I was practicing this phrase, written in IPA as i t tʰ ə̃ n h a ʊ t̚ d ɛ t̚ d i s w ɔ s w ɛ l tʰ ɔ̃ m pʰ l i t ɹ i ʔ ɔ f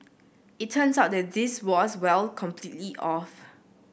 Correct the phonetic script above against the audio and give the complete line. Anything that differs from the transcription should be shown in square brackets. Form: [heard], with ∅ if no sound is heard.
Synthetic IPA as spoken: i t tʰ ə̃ n [s] a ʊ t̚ d ɛ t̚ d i s w ɔ s w ɛ l [kʰ] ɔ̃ m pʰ l i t [l] i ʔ ɔ f

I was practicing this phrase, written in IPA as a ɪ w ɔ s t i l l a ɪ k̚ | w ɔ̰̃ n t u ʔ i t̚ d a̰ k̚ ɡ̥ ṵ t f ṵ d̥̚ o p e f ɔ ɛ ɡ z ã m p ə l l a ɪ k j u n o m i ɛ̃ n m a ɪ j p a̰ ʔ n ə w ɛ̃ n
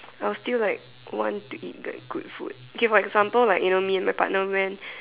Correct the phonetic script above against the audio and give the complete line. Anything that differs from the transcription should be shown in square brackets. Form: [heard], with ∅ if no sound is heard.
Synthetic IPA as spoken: a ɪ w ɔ s t i l l a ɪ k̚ | w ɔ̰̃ n t u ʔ i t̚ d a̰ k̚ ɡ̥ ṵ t f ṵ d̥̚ o [k] e f ɔ ɛ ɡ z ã m p ə l l a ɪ k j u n o m i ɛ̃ n m a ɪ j p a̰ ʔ n ə w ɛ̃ n

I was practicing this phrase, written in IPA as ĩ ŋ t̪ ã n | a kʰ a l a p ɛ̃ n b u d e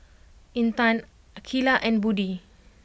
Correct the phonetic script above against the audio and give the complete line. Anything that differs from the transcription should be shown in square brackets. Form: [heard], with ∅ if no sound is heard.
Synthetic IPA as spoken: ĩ [n] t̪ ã n | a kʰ [i] l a [ʔ] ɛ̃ n b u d [i]

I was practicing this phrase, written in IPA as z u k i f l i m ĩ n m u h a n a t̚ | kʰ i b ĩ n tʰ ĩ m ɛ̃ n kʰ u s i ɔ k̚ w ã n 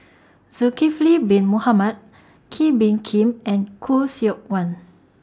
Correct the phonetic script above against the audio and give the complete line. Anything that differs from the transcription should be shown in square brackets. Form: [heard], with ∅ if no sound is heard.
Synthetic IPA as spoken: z u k i f l i [b] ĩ n m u h a [m] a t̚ | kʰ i b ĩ n [kʰ] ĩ m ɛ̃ n kʰ u s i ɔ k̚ w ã n

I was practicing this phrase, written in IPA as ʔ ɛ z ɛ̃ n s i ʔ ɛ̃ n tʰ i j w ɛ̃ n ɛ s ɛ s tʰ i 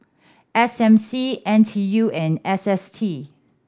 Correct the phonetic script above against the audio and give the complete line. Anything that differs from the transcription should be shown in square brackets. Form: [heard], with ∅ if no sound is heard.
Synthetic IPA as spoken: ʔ ɛ [s] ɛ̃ [m] s i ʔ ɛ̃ n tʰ i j [u] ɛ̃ n ɛ s ɛ s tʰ i

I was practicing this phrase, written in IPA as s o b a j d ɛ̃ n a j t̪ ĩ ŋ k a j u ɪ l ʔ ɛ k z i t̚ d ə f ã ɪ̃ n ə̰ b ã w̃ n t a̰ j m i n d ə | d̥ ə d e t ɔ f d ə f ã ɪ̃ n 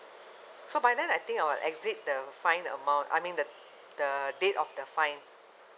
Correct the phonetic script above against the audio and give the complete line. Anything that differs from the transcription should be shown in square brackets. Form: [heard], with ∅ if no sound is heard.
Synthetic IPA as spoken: s o b a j d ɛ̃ n a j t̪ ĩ ŋ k a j [w] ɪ l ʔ ɛ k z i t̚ d ə f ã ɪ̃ n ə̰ [m] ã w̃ n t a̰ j m [ĩ] n d ə | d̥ ə d e t ɔ f d ə f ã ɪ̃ n

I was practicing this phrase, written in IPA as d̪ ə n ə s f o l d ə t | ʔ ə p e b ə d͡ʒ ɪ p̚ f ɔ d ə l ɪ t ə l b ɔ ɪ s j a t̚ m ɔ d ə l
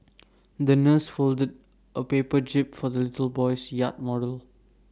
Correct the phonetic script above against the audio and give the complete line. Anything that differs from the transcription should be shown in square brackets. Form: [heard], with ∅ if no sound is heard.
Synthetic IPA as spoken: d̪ ə n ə s f o l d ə [d] | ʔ ə p e [p] ə d͡ʒ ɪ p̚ f ɔ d ə l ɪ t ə l b ɔ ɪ s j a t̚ m ɔ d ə l

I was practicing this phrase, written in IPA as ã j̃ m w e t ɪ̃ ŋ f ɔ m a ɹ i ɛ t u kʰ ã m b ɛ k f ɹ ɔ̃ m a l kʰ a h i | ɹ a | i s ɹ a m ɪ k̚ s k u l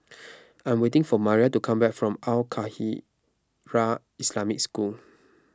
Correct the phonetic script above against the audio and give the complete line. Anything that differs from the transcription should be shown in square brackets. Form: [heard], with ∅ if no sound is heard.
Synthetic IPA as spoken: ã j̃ m w e t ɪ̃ ŋ f ɔ m a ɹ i [a] t u kʰ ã m b ɛ k f ɹ ɔ̃ m a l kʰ a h i | ɹ a | i s [l] a m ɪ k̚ s k u l

